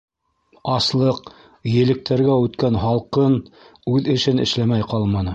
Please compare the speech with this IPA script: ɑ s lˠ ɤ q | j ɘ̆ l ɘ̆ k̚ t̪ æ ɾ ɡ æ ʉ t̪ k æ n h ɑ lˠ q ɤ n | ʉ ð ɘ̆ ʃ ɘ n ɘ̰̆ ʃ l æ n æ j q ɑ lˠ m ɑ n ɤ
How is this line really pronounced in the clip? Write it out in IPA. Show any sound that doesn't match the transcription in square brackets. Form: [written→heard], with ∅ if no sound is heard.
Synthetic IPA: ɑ s lˠ ɤ q | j ɘ̆ l ɘ̆ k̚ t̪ æ ɾ ɡ æ ʉ t̪ k æ n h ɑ lˠ q ɤ n | ʉ ð ɘ̆ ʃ ɘ n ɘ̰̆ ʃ l æ [n→m] æ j q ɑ lˠ m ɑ n ɤ